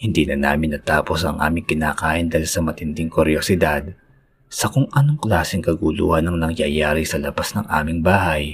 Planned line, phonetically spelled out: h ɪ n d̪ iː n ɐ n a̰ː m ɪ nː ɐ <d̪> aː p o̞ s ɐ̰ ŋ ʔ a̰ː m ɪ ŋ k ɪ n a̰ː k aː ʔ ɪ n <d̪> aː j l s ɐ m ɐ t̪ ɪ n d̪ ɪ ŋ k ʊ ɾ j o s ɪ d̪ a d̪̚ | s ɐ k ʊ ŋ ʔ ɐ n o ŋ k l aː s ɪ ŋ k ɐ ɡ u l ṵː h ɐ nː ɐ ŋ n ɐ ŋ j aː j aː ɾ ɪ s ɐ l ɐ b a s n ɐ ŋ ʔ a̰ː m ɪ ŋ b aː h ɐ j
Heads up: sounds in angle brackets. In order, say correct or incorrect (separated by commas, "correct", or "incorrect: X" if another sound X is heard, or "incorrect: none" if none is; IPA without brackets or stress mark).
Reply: incorrect: t̪, correct